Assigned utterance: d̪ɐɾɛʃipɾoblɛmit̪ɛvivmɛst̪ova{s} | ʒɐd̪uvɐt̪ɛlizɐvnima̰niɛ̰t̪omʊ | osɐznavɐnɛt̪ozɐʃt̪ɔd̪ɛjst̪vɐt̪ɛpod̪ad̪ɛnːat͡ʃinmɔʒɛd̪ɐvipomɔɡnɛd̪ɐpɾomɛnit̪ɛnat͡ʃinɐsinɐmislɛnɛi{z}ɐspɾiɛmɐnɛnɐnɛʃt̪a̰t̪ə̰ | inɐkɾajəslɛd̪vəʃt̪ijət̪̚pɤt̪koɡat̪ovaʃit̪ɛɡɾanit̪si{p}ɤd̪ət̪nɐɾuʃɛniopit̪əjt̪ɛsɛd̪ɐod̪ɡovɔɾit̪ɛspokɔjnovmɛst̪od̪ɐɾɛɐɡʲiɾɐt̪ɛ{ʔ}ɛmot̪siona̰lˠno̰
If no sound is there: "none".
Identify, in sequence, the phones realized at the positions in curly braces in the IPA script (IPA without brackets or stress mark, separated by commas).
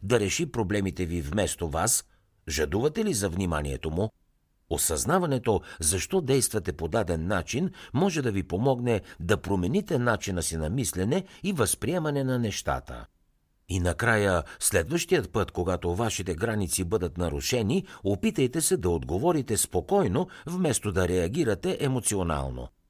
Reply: s, v, b, ʔ